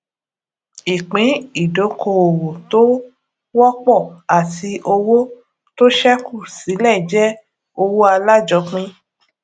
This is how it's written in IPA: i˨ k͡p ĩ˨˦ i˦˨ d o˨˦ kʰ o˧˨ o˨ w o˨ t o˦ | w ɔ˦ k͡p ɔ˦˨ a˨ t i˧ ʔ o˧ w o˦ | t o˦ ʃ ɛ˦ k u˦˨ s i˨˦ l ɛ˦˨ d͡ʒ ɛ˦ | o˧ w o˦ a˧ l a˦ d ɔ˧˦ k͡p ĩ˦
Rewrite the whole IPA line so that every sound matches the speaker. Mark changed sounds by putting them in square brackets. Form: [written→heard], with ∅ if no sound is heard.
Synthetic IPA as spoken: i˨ k͡p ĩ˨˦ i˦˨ d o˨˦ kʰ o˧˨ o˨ w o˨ t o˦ | w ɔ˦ k͡p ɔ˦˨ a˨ t i˧ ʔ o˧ w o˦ | t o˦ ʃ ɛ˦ k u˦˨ s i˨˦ l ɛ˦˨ d͡ʒ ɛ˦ | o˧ w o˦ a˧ l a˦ [d→d͡ʒ] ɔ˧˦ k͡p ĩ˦